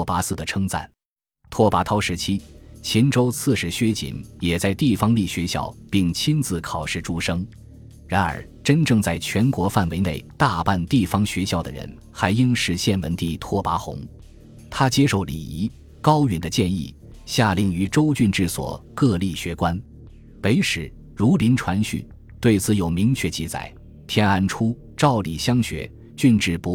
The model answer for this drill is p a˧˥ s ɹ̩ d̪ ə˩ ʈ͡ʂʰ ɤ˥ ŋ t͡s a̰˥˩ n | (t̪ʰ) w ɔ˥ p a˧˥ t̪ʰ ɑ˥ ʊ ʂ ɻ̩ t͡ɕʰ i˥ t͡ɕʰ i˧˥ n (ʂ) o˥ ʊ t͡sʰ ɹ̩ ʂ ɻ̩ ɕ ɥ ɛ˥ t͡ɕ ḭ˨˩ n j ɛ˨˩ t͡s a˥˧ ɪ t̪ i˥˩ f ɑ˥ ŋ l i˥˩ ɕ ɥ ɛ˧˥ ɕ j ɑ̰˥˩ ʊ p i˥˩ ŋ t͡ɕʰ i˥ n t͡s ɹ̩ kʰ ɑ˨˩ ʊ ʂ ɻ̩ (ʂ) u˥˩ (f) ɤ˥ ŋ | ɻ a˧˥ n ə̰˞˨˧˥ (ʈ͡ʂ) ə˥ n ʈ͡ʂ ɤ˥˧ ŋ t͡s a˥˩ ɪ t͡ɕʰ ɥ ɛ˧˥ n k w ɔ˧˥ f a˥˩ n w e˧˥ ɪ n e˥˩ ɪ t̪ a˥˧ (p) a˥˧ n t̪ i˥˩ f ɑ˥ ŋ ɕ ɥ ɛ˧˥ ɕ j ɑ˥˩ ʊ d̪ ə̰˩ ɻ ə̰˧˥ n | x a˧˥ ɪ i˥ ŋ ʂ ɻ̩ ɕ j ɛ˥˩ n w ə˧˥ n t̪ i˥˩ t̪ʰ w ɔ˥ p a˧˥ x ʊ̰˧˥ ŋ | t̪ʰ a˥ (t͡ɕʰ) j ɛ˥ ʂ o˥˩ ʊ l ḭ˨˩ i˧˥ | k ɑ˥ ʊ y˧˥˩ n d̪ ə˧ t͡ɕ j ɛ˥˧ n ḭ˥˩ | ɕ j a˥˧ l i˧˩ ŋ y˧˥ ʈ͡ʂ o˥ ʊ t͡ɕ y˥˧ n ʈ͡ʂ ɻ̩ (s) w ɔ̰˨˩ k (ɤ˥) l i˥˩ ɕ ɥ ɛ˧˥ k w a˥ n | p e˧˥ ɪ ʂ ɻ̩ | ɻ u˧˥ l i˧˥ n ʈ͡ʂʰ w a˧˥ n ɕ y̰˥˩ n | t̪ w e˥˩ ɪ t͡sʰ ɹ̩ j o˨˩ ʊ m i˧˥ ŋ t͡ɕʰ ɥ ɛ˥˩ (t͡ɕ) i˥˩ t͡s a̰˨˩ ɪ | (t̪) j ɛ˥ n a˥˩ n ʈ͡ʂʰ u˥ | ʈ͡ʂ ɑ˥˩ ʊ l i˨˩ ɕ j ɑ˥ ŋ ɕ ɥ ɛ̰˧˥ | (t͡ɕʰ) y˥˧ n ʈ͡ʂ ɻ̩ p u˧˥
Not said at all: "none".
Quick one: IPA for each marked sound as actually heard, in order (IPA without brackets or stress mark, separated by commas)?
t̪ʰ, ʈ͡ʂ, ʈ͡ʂ, ʂ, ʈ͡ʂ, p, t͡ɕ, s, ɤ˥˧, t͡ɕ, t̪ʰ, t͡ɕ